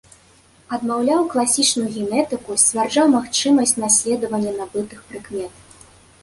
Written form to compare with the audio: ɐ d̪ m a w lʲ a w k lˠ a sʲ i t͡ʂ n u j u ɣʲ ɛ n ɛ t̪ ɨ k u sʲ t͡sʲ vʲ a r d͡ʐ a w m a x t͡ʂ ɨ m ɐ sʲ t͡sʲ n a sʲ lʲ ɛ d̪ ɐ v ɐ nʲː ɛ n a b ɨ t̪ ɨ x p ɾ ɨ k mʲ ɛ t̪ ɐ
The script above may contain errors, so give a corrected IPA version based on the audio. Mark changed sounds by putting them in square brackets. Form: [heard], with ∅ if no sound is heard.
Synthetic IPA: ɐ d̪ m a w lʲ a w k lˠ a sʲ i t͡ʂ n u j u ɣʲ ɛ n ɛ t̪ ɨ k u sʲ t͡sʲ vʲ a r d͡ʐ a w m a x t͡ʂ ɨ m ɐ sʲ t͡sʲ n a sʲ lʲ ɛ d̪ ɐ v ɐ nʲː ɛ n a b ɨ t̪ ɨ x p ɾ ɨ k mʲ ɛ t̪ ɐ